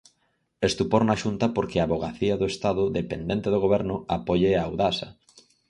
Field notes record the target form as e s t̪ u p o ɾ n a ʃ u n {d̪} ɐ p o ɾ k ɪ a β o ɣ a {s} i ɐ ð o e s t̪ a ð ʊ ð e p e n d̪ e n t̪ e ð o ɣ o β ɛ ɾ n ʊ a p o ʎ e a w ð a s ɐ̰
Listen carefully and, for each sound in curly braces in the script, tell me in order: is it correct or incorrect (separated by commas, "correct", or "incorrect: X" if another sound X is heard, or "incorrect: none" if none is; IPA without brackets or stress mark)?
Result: incorrect: t̪, incorrect: θ